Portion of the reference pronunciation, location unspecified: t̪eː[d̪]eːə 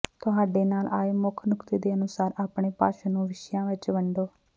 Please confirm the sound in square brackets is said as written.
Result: yes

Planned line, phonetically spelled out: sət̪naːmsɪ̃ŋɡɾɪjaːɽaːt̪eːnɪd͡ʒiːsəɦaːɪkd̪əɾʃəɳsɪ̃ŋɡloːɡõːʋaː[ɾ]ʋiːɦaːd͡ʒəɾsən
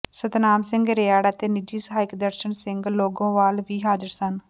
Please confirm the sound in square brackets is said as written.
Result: no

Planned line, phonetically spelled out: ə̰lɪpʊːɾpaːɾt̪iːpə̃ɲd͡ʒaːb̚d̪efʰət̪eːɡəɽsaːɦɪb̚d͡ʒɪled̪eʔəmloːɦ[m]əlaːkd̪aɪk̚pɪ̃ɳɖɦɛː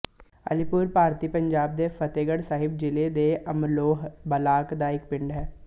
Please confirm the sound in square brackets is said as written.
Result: no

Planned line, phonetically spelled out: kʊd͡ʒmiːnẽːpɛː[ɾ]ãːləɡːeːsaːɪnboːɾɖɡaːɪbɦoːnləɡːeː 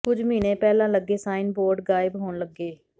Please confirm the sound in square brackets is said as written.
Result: no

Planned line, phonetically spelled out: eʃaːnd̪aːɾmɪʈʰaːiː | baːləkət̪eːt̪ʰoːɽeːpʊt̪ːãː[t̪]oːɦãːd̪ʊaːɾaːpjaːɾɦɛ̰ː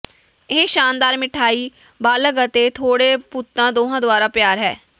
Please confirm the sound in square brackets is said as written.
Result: no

